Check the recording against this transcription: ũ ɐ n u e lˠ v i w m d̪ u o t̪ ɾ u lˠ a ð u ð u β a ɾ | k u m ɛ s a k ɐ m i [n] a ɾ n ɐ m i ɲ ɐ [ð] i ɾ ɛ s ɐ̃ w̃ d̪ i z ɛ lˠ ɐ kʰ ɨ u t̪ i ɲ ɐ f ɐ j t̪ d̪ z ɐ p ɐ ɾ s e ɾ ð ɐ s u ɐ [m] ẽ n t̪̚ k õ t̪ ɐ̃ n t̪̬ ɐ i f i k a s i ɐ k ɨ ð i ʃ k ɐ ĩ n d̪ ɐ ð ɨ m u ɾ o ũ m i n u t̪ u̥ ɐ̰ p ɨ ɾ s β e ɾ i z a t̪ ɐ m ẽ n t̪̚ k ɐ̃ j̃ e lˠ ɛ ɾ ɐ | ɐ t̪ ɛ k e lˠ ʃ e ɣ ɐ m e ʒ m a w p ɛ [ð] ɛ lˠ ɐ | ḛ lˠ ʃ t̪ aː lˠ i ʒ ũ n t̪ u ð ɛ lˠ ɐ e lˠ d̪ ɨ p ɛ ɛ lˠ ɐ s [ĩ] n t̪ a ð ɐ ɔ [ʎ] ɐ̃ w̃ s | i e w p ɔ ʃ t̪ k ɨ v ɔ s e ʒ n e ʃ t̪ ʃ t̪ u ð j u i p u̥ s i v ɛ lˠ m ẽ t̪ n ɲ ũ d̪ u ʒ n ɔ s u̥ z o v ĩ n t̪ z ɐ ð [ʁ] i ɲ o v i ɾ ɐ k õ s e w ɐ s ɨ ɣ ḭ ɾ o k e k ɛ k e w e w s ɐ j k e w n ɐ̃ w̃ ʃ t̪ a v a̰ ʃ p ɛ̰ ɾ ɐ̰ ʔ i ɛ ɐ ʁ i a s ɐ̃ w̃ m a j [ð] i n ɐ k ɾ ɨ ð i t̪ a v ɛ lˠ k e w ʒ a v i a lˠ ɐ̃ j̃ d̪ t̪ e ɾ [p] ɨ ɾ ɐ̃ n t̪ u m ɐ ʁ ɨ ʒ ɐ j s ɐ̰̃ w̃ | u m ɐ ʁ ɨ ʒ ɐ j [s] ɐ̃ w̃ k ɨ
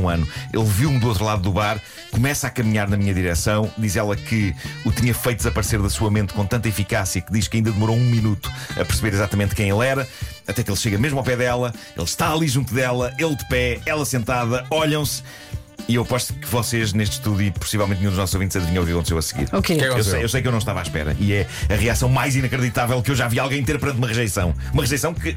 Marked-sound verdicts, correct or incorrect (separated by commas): incorrect, correct, correct, correct, incorrect, correct, incorrect, incorrect, correct, correct